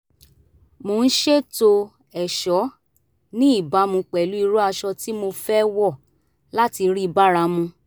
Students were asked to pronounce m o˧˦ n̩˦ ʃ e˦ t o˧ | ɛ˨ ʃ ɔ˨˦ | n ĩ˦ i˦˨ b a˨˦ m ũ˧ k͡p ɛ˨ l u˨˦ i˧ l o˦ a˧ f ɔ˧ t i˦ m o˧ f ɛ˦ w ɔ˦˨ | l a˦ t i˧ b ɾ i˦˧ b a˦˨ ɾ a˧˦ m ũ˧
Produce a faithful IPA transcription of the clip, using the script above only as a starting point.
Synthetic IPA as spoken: m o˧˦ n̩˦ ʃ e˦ t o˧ | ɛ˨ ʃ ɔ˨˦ | n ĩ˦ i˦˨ b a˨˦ m ũ˧ k͡p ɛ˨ l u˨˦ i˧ ɾ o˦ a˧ ʃ ɔ˧ t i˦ m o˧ f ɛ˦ w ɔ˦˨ | l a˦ t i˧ ɾ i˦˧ b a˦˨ ɾ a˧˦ m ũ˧

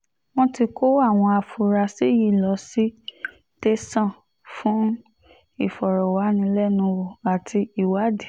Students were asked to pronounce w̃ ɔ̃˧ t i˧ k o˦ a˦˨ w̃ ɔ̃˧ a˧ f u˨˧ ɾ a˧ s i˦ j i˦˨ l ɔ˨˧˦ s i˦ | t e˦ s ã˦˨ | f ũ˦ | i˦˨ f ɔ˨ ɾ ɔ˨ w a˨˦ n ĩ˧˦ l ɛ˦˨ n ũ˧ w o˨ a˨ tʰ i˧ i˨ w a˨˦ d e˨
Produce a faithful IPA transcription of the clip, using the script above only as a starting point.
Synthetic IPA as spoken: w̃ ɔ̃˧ t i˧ k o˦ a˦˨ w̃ ɔ̃˧ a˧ f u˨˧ ɾ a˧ s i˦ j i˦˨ l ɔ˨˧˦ s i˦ | t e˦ s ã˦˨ | f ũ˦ | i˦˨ f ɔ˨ ɾ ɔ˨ w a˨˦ n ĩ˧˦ l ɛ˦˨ n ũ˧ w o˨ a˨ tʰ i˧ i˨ w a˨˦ d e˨

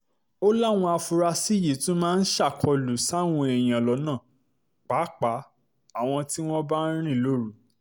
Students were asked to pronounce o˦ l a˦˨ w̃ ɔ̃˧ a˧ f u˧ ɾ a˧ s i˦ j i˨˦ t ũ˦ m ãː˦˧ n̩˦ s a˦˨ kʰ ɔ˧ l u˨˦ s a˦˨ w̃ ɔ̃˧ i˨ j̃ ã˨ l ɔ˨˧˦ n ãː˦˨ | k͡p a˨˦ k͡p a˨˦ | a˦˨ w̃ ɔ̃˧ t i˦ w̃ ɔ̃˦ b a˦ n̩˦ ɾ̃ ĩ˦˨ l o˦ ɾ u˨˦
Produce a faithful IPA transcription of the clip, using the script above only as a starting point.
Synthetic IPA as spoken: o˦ l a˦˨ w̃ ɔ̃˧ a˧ f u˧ ɾ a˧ s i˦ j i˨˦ t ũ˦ m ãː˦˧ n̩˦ ʃ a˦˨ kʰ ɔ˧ l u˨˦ s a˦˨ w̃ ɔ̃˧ ɛ˨ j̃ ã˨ l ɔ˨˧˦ n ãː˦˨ | k͡p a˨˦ k͡p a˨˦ | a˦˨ w̃ ɔ̃˧ t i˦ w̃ ɔ̃˦ b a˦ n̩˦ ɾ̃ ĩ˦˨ l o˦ ɾ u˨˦

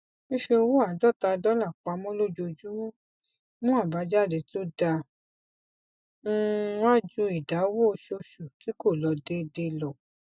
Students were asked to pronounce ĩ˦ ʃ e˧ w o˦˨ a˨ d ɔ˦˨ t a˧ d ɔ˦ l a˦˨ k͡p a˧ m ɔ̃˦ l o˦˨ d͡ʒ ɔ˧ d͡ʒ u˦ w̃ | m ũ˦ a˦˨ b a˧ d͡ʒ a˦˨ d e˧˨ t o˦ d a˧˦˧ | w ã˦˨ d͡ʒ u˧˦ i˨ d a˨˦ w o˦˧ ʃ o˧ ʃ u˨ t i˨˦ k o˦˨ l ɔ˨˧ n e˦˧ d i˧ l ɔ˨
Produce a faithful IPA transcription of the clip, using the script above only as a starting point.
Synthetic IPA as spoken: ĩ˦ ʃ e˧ w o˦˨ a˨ d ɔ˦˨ t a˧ d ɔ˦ l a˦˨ k͡p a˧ m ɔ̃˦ l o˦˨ d͡ʒ o˧ d͡ʒ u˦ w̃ | m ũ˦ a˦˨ b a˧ d͡ʒ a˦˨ d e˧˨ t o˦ d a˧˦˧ | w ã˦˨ d͡ʒ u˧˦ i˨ d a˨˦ w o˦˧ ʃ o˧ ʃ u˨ t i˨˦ k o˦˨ l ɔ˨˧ d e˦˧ d e˧ l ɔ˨

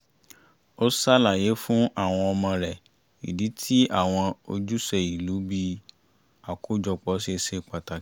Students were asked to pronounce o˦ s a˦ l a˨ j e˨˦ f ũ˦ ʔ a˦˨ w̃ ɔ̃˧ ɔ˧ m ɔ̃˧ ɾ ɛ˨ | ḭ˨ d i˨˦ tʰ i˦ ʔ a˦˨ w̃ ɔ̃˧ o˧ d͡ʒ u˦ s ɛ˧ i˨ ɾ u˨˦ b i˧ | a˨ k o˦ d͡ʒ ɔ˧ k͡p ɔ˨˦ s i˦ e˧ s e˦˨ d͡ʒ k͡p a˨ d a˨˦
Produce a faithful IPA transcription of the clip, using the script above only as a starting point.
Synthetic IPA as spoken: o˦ s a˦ l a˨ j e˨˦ f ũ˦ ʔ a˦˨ w̃ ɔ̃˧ ɔ˧ m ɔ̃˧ ɾ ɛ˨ | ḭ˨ d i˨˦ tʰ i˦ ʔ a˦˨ w̃ ɔ̃˧ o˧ d͡ʒ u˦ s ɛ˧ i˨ l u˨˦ b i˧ | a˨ k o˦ d͡ʒ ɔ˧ k͡p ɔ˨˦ s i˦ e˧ s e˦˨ k͡p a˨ t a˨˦

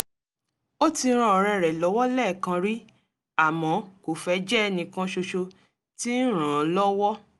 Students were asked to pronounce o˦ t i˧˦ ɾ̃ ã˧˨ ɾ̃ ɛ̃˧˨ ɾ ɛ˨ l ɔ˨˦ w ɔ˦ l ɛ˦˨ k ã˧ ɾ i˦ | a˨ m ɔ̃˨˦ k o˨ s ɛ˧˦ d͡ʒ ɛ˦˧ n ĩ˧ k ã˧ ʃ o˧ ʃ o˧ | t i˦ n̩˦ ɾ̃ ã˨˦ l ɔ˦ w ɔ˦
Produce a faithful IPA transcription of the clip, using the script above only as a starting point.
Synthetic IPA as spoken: o˦ t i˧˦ ɾ̃ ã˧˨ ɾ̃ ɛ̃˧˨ ɾ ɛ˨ l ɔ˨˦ w ɔ˦ l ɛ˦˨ k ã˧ ɾ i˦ | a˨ m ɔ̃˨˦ k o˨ f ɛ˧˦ d͡ʒ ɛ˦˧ n ĩ˧ k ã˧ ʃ o˧ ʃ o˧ | t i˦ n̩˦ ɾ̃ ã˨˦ l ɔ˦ w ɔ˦

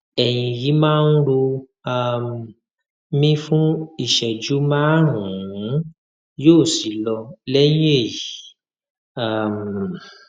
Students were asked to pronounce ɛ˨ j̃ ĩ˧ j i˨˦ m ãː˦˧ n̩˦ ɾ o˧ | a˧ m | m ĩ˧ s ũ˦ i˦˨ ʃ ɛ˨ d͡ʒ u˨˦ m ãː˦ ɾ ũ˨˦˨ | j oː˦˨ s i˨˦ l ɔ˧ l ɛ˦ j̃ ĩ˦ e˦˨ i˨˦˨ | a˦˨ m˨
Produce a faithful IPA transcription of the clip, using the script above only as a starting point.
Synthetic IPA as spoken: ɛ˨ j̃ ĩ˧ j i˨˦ m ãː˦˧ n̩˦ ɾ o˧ | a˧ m | m ĩ˧ f ũ˦ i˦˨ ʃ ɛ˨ d͡ʒ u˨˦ m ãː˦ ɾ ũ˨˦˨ | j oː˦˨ s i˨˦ l ɔ˧ l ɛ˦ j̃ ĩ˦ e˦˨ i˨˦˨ | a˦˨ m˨

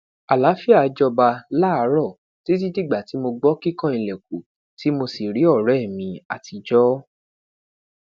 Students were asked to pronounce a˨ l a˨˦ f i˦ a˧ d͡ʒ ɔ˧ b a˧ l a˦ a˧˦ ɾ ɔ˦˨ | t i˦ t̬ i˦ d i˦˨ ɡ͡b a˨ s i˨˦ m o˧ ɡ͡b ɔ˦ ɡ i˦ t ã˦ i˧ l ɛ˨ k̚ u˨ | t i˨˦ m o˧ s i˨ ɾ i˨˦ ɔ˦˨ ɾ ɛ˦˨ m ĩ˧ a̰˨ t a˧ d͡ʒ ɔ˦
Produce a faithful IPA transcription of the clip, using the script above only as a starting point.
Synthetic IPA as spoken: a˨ l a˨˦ f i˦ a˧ d͡ʒ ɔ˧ b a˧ l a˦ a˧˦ ɾ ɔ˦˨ | t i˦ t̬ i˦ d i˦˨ ɡ͡b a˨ t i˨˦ m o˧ ɡ͡b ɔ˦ k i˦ k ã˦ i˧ l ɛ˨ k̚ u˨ | t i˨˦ m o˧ s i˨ ɾ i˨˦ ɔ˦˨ ɾ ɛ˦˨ m ĩ˧ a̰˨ t i˧ d͡ʒ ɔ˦

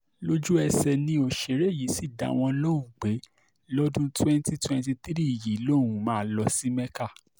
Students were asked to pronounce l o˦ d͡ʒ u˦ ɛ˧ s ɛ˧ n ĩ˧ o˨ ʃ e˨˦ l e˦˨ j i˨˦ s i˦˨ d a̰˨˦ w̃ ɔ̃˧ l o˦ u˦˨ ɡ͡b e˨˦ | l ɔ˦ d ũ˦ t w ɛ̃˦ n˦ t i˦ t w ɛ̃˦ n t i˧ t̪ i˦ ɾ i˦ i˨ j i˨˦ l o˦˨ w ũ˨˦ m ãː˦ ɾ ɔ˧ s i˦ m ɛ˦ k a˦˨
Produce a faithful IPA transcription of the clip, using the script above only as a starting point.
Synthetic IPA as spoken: l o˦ d͡ʒ u˦ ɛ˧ s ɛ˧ n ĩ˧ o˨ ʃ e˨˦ ɾ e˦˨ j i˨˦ s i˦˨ d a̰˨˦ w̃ ɔ̃˧ l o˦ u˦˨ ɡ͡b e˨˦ | l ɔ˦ d ũ˦ t w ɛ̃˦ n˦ t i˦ t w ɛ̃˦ n t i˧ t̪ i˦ ɾ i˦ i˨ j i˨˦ l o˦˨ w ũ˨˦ m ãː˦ l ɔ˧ s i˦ m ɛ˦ k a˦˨

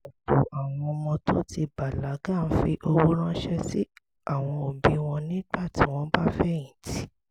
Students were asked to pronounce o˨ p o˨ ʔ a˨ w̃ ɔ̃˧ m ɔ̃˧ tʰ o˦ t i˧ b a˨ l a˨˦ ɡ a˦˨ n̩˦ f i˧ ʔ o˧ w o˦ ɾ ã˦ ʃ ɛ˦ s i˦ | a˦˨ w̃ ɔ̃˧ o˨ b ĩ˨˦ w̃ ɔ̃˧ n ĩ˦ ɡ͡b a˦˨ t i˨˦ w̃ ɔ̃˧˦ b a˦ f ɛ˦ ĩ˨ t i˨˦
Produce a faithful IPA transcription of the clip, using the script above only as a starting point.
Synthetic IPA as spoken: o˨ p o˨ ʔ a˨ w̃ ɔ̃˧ m ɔ̃˧ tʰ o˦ t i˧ b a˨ l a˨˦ ɡ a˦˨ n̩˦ f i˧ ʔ o˧ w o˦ ɾ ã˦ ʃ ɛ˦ s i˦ | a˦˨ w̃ ɔ̃˧ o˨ b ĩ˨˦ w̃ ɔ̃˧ n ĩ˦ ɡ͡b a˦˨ t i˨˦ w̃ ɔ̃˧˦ b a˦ f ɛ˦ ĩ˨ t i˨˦

